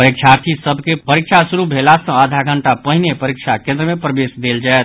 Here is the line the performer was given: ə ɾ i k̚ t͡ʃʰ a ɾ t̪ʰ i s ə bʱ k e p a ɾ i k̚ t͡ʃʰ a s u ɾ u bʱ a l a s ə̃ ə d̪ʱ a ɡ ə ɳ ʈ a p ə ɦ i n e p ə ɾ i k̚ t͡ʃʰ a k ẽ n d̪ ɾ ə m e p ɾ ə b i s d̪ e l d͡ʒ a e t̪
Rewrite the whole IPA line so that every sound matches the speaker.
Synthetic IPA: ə ɾ i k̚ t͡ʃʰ a ɾ t̪ʰ i s ə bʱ k e p ə ɾ i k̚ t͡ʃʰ a s u ɾ u bʱ e l a s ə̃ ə d̪ʱ a ɡ ə ɳ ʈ a p ə ɦ i n e p ə ɾ i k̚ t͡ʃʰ a k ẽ n d̪ ɾ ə m e p ɾ ə b e s d̪ e l d͡ʒ a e t̪